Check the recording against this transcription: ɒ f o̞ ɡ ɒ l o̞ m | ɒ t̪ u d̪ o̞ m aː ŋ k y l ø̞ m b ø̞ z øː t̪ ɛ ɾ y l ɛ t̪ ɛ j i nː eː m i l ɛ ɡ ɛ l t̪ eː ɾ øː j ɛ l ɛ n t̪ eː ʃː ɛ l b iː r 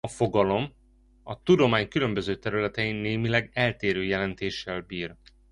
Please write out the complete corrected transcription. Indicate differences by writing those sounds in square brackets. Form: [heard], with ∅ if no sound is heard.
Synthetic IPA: ɒ f o̞ ɡ ɒ l o̞ m | ɒ t̪ u d̪ o̞ m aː [ɲ] k y l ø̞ m b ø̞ z øː t̪ ɛ ɾ y l ɛ t̪ ɛ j i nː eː m i l ɛ ɡ ɛ l t̪ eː ɾ øː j ɛ l ɛ n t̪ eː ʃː ɛ l b iː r

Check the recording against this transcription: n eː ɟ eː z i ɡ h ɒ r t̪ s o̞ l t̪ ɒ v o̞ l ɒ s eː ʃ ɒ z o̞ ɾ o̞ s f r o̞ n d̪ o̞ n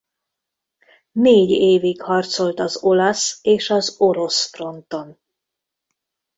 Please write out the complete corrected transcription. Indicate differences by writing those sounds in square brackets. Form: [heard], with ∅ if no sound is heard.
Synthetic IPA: n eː ɟ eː [v] i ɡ h ɒ r t̪ s o̞ l t̪ ɒ [z] o̞ l ɒ s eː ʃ ɒ z o̞ ɾ o̞ s f r o̞ n [t̪] o̞ n

